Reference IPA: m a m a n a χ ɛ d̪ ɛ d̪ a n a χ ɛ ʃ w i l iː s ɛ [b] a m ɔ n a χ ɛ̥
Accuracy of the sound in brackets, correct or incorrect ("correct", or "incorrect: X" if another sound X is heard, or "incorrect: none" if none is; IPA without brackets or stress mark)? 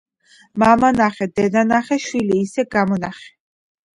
incorrect: ɡ